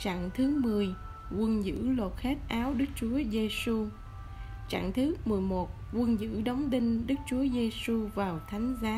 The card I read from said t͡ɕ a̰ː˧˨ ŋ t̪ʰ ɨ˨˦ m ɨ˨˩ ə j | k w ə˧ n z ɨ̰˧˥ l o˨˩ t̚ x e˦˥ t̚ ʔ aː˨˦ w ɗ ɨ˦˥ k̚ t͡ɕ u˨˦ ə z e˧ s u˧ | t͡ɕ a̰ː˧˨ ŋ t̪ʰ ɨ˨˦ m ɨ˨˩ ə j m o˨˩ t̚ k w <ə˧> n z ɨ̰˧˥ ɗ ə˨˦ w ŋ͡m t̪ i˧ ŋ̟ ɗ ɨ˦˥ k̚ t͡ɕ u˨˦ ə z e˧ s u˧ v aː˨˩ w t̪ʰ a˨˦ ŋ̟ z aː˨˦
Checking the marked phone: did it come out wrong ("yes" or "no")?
no